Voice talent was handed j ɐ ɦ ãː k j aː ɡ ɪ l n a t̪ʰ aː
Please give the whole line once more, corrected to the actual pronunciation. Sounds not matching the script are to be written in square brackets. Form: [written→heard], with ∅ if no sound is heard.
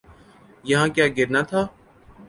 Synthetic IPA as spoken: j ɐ ɦ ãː k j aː ɡ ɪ [l→ɾ] n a t̪ʰ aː